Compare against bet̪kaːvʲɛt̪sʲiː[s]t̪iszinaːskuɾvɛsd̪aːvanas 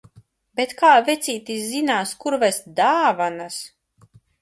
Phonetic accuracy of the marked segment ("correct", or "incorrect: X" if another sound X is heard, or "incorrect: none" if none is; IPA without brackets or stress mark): incorrect: none